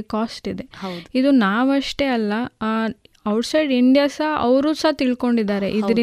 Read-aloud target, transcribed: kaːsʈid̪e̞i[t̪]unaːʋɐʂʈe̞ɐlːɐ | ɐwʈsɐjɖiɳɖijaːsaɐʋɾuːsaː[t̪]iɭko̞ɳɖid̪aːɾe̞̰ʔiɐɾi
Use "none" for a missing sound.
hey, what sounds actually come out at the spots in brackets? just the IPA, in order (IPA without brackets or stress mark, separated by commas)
d̪, t̪